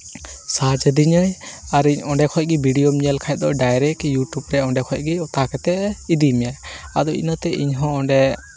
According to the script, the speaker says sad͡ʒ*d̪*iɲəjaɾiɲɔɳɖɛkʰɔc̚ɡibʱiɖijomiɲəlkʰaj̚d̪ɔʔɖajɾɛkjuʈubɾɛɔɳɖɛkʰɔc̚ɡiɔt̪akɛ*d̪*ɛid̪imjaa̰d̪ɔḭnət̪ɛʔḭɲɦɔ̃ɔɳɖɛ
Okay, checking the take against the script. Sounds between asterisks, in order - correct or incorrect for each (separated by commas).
correct, incorrect